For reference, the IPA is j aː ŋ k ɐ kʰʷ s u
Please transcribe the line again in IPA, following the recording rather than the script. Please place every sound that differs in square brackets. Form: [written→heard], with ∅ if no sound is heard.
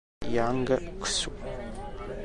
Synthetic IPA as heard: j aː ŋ [k→ɡ] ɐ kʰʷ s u